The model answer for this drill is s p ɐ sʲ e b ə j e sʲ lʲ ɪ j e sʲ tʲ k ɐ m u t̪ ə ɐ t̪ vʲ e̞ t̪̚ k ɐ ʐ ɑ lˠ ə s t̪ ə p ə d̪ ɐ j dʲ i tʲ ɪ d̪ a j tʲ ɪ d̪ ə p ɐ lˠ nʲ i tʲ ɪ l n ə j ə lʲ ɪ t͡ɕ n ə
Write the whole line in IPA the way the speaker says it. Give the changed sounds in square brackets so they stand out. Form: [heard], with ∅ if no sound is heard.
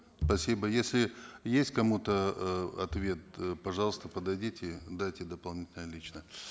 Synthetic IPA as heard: s p ɐ sʲ [i] b ə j e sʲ lʲ ɪ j e sʲ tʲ k ɐ m u t̪ ə ɐ t̪ vʲ e̞ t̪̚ [p] ɐ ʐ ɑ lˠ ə s t̪ ə p ə d̪ ɐ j dʲ i tʲ ɪ d̪ a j tʲ ɪ d̪ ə p ɐ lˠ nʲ i tʲ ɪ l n ə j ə lʲ [i] t͡ɕ n ə